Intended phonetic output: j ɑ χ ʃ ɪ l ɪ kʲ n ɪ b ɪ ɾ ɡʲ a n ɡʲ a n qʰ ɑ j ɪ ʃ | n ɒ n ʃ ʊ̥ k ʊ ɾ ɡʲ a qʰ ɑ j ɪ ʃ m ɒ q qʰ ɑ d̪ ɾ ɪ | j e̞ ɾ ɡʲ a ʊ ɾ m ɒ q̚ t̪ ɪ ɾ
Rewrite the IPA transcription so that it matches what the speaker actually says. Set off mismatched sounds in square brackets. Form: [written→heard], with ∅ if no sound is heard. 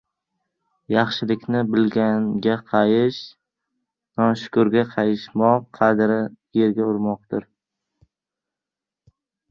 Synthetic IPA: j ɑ χ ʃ ɪ l ɪ kʲ n ɪ b ɪ [ɾ→l] ɡʲ a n ɡʲ a [n→∅] qʰ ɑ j ɪ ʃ | n ɒ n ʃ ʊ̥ k ʊ ɾ ɡʲ a qʰ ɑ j ɪ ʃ m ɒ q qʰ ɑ d̪ ɾ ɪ | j e̞ ɾ ɡʲ a ʊ ɾ m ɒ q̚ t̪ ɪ ɾ